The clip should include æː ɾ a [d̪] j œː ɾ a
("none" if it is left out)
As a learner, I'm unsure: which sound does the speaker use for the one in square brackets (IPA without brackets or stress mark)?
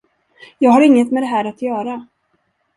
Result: t̪